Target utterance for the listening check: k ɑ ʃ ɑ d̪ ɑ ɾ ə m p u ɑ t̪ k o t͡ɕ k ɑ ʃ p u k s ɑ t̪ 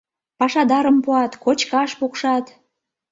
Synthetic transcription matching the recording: p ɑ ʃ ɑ d̪ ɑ ɾ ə m p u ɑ t̪ k o t͡ɕ k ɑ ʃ p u k ʃ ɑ t̪